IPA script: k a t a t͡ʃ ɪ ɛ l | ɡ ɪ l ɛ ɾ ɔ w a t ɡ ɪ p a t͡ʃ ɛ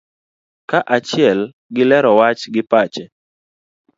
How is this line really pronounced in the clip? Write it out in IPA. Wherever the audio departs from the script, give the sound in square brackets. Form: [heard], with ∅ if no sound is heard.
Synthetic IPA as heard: k a [ʔ] a t͡ʃ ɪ ɛ l | ɡ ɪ l ɛ ɾ ɔ w a [t͡ʃ] ɡ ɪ p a t͡ʃ ɛ